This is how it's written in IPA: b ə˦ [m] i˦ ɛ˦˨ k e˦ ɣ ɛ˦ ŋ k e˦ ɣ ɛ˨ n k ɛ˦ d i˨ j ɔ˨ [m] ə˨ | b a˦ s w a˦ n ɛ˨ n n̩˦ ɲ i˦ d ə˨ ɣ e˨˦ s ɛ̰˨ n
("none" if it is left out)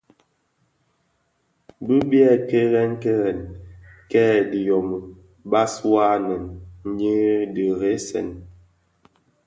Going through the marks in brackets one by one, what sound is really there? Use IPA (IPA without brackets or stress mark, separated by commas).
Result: b, m